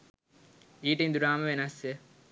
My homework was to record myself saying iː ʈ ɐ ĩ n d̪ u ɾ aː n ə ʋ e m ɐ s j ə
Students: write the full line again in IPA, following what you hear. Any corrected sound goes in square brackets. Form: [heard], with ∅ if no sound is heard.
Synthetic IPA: iː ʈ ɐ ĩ n d̪ u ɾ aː [m] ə ʋ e [n] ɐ s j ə